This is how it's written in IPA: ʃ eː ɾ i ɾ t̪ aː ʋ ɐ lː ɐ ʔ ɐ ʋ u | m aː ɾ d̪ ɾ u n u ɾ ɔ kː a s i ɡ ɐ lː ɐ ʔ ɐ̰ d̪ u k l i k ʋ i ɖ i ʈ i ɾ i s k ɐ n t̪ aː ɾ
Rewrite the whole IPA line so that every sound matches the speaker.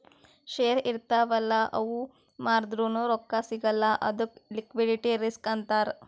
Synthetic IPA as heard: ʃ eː ɾ i ɾ t̪ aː ʋ ɐ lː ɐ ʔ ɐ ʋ u | m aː ɾ d̪ ɾ u n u ɾ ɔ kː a s i ɡ ɐ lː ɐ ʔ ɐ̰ d̪ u k l i k ʋ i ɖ i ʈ i ɾ i s k ɐ n t̪ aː ɾ